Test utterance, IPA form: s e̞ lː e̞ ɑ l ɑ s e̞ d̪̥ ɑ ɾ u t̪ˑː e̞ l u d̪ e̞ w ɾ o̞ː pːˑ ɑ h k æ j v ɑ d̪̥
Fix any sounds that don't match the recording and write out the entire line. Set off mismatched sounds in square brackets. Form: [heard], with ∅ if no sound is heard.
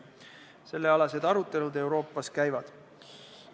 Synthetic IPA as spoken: s e̞ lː e̞ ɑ l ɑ s e̞ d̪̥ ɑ ɾ u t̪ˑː e̞ l u d̪ e̞ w ɾ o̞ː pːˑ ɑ [s] k æ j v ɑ d̪̥